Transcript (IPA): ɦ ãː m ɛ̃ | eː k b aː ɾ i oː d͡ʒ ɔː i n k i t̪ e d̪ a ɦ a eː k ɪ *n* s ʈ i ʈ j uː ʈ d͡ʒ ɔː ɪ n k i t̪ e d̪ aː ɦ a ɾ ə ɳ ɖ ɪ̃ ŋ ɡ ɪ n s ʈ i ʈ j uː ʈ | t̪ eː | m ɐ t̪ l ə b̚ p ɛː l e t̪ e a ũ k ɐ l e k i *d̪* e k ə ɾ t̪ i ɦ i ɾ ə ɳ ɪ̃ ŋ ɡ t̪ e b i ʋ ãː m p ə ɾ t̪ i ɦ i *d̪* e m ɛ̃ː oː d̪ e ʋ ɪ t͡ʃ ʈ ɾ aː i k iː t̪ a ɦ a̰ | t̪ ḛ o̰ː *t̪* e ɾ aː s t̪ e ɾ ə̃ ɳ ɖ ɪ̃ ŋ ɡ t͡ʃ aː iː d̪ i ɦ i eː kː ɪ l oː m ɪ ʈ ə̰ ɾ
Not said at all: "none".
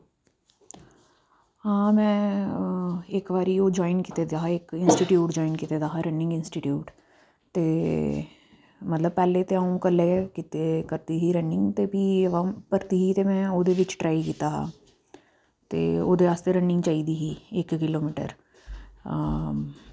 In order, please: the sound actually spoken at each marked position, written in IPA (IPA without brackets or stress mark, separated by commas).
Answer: n, t̪, t̪, d̪